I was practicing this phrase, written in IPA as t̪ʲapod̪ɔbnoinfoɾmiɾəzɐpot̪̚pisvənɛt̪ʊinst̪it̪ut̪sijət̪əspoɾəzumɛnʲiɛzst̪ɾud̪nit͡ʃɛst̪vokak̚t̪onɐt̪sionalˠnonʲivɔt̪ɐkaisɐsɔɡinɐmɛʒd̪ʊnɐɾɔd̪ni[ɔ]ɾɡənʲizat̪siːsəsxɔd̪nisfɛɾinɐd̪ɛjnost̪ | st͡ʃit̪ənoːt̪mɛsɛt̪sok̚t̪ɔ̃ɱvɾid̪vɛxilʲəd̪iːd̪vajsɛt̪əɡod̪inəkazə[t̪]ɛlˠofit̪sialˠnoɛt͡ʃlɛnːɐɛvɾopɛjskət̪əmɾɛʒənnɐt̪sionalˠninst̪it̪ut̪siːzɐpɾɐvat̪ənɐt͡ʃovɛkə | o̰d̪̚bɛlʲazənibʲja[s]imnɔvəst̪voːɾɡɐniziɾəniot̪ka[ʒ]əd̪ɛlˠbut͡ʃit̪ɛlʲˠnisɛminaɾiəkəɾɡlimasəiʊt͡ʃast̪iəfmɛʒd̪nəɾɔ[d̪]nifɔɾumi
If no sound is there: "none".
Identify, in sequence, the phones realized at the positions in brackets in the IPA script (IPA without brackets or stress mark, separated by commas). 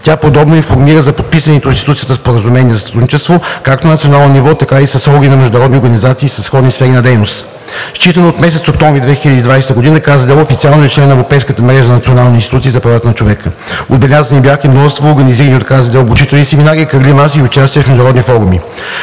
o, d̪, x, z, d̪